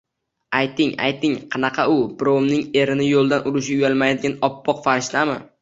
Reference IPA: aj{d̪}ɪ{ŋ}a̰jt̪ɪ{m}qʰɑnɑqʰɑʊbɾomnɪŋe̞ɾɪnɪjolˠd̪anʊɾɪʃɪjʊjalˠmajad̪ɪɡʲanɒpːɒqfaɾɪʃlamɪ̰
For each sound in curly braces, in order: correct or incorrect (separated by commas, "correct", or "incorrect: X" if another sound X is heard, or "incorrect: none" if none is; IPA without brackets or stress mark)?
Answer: incorrect: t̪, correct, incorrect: ŋ